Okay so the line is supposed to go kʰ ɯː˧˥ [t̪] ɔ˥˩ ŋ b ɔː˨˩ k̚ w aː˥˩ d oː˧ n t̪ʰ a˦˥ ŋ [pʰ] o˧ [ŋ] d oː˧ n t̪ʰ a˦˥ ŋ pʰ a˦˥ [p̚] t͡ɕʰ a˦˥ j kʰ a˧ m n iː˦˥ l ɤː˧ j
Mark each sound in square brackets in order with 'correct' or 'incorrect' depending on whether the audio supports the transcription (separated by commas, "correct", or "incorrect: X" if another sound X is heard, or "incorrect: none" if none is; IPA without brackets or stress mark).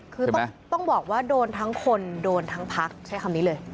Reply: correct, incorrect: kʰ, incorrect: n, incorrect: k̚